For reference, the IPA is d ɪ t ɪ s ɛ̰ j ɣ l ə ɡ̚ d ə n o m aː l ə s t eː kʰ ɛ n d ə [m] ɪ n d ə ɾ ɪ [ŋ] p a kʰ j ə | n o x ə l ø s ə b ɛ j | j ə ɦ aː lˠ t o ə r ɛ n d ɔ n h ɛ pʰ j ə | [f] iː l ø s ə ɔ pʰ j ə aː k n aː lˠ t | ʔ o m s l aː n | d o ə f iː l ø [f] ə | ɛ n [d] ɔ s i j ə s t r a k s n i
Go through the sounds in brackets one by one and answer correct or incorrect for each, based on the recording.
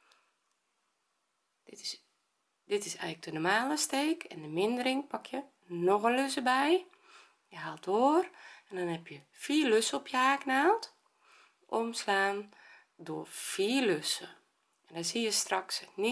correct, correct, correct, incorrect: s, correct

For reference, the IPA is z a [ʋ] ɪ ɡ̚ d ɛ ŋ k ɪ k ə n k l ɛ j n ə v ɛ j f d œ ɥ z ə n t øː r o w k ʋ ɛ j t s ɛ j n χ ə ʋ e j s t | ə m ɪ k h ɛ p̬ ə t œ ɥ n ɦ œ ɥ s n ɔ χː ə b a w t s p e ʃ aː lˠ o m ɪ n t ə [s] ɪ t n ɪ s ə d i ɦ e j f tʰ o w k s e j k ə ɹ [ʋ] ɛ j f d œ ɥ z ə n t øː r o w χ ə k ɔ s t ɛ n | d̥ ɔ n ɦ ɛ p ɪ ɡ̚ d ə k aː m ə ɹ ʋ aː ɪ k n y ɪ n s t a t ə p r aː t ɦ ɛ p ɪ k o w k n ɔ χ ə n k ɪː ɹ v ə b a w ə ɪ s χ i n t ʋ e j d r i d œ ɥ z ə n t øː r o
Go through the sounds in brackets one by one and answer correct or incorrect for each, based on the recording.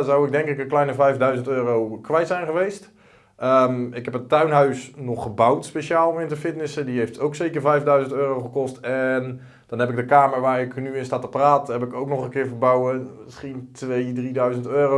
incorrect: w, incorrect: f, incorrect: v

